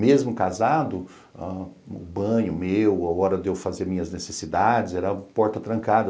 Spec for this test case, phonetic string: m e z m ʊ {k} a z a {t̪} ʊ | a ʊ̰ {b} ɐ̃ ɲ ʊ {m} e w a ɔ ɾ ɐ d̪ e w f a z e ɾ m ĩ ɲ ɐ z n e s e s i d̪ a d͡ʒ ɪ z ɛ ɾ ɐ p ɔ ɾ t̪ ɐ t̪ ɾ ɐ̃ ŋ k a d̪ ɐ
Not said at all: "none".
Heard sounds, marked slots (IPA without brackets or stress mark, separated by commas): k, d̪, b, m